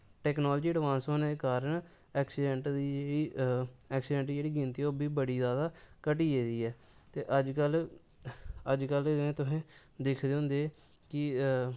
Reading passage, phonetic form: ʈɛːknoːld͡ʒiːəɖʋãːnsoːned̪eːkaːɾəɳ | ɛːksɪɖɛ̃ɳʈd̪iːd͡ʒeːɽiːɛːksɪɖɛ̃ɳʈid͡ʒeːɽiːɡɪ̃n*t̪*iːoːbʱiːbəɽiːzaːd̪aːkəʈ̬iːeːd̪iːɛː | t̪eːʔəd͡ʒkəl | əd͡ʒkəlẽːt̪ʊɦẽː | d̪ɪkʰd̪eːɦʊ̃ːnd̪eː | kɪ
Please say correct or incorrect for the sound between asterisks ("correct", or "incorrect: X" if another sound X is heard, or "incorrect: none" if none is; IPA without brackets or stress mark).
correct